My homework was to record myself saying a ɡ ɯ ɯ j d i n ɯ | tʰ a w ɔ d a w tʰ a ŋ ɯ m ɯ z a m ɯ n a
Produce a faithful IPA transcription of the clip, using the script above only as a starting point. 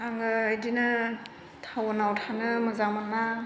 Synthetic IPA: a ŋ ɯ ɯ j d i n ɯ | tʰ a w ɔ n a w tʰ a n ɯ m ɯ z a m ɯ n a